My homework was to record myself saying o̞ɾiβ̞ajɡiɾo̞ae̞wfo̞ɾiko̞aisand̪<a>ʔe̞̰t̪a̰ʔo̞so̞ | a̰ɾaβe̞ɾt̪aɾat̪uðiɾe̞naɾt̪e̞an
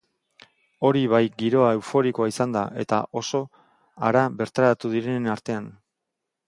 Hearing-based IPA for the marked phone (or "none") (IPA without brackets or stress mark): a